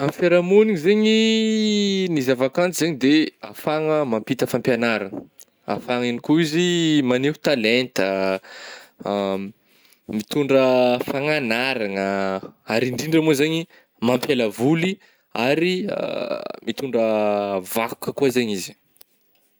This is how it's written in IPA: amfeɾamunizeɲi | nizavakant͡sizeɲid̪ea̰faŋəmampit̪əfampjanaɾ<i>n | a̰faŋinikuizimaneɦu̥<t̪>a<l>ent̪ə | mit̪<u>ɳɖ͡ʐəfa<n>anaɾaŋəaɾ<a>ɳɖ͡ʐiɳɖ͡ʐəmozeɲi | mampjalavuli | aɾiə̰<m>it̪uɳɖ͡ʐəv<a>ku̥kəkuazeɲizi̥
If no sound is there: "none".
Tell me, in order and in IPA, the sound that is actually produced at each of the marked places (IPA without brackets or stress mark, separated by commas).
a, t̪, l, u, ŋ, i, m, a